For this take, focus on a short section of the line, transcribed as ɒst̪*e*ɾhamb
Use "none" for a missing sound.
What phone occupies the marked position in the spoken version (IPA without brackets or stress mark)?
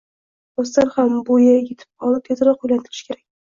a